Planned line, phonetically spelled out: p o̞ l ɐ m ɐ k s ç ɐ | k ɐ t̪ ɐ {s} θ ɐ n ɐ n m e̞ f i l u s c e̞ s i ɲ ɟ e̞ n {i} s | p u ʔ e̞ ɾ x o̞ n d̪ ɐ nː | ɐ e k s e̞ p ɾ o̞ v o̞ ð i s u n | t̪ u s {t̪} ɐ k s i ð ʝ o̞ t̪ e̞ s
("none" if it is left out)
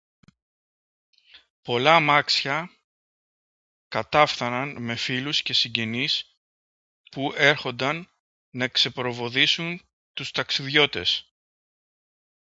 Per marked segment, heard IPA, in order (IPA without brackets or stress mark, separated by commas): f, i, t̪